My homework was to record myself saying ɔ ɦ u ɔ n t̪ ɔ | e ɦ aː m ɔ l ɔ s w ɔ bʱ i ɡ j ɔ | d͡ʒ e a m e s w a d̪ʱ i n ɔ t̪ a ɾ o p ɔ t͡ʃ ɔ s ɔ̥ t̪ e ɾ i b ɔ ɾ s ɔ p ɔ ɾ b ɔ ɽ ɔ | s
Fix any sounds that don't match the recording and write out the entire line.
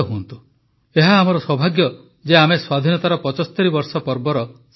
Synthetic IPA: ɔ ɦ u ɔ n t̪ u | e ɦ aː m ɔ ɾ ɔ s w ɔ bʱ a ɡ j ɔ | d͡ʒ e a m e s w a d̪ʱ i n ɔ t̪ a ɾ ɔ p ɔ t͡ʃ ɔ s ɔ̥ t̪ e ɾ i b ɔ ɾ s ɔ p ɔ ɾ b ɔ ɾ ɔ | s